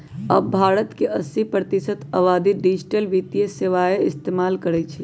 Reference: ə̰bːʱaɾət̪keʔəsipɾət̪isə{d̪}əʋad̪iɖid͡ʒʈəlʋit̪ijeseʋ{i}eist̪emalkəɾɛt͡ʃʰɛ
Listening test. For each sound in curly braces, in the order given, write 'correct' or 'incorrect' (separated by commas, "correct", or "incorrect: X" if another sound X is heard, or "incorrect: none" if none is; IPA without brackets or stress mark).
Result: incorrect: t̪, incorrect: a